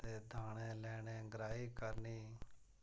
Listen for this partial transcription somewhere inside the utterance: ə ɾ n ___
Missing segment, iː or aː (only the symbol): iː